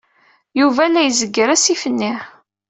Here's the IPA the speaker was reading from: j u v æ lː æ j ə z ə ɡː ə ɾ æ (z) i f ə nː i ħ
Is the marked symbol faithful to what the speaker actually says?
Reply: no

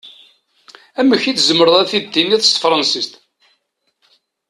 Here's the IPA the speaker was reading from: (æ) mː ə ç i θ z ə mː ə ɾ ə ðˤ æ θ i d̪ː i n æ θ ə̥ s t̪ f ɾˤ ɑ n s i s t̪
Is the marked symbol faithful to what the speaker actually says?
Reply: yes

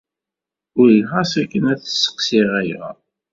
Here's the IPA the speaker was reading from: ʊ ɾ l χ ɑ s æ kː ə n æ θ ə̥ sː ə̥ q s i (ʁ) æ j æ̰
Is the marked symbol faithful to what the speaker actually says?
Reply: yes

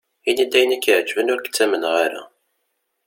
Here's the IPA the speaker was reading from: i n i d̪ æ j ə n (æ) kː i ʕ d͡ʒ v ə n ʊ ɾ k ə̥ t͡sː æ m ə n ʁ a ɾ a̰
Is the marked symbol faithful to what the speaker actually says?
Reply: yes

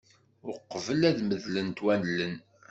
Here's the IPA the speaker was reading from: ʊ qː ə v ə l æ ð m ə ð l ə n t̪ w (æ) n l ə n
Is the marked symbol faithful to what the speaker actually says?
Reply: yes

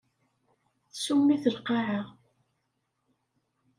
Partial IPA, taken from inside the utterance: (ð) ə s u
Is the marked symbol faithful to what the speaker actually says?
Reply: no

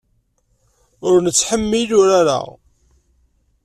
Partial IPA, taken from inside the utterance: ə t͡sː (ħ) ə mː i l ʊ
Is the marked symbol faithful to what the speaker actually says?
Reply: yes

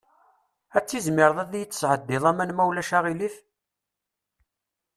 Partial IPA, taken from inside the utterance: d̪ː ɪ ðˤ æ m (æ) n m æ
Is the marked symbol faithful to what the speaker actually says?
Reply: yes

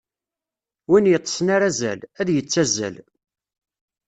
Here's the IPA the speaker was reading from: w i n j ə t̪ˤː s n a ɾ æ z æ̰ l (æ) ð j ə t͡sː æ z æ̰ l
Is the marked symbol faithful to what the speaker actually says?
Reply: yes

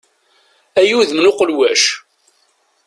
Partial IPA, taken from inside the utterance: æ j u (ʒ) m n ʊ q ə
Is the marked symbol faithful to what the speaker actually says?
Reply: no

